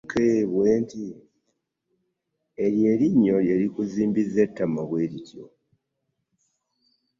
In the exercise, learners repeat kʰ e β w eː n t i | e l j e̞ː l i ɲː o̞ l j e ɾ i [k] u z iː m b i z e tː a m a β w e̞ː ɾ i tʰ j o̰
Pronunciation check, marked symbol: correct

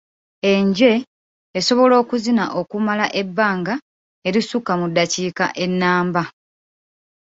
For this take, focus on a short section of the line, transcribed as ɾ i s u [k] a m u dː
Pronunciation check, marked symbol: correct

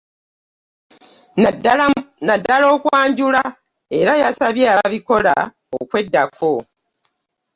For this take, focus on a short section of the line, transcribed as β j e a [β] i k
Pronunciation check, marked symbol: correct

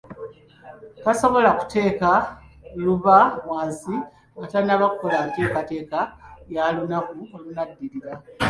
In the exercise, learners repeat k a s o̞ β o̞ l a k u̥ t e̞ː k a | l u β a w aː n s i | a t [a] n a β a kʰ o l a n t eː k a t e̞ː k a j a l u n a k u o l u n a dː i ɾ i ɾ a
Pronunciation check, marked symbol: correct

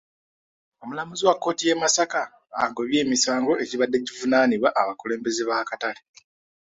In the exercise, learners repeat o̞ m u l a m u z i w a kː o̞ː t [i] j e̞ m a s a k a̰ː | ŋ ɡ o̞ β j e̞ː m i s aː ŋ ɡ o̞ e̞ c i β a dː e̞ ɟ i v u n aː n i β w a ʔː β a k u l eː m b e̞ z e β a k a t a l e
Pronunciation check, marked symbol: correct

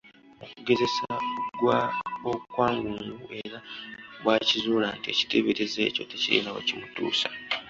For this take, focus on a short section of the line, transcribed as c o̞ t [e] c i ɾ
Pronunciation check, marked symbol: correct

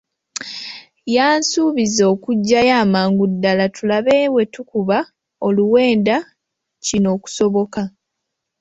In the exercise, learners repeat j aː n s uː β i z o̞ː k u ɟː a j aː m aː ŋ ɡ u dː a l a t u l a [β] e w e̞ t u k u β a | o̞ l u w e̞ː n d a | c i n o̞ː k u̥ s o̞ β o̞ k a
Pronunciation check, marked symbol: correct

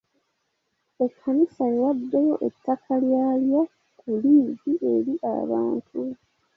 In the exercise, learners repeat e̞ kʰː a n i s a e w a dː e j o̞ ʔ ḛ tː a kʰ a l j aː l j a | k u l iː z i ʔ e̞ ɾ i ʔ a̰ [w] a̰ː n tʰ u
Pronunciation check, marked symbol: incorrect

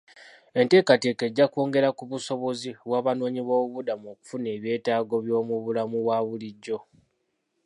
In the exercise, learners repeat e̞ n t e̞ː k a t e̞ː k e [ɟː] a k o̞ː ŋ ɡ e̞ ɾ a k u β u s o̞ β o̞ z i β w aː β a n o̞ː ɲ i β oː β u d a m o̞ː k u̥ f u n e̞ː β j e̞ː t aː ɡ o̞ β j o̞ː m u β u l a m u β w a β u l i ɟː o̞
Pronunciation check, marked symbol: correct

